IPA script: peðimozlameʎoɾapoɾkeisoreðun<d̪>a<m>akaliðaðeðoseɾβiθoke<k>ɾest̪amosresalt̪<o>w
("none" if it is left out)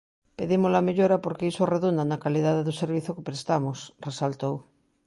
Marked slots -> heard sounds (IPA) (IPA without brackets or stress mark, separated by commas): d̪, n, p, o